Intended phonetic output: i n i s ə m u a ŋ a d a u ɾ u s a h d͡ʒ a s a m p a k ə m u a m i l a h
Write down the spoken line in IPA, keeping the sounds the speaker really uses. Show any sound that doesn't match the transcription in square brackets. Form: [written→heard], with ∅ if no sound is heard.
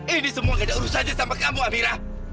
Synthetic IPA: i n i s ə m u a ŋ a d a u ɾ u s a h d͡ʒ a s a m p a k [ə→a] m u a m i [l→ɾ] a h